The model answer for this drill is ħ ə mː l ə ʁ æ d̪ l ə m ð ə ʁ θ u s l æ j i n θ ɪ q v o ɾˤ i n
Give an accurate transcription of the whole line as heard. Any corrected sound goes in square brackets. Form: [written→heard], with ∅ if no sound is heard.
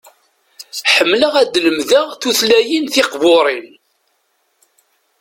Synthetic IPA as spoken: ħ ə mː l ə ʁ æ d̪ l ə m ð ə ʁ θ u [s→θ] l æ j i n θ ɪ q v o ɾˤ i n